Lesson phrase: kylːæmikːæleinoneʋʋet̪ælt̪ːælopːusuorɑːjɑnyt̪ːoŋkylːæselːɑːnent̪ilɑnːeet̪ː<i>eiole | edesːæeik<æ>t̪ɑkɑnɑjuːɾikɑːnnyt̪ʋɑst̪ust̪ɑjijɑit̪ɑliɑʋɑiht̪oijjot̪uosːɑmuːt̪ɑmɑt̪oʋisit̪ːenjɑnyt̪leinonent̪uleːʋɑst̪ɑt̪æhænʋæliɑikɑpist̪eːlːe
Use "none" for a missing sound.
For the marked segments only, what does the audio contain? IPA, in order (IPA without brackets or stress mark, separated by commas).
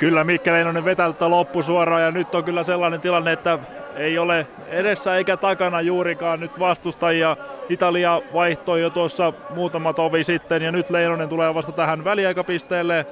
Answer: æ, æ